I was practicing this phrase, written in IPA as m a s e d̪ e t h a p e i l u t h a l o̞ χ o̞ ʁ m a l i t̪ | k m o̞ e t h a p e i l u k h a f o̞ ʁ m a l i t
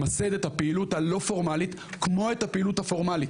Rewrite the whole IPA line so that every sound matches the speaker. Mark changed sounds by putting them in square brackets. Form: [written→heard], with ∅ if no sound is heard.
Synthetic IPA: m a s e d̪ e t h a p e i l u t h a l o̞ [χ→f] o̞ ʁ m a l i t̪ | k m o̞ e t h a p e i l u [k→t] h a f o̞ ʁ m a l i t